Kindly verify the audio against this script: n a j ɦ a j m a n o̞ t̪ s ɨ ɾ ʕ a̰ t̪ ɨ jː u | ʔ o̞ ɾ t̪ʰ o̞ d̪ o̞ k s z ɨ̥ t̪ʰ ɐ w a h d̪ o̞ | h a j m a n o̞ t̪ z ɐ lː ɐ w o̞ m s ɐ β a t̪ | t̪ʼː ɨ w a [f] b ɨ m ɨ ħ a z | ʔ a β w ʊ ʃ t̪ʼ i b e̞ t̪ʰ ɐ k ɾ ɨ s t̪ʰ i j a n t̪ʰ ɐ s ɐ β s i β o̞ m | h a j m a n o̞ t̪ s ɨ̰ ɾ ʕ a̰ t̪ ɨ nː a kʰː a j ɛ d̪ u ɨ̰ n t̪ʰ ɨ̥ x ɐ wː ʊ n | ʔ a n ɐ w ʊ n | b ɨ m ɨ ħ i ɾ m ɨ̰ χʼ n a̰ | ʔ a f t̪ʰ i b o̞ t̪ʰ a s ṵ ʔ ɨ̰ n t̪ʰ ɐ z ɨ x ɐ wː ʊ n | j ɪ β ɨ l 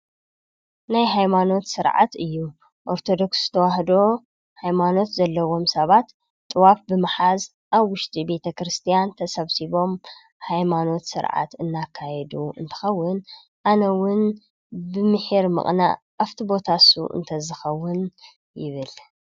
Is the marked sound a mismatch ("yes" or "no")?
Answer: no